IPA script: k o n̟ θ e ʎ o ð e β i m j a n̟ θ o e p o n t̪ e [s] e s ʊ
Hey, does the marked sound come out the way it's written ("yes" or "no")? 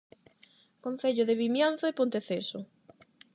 no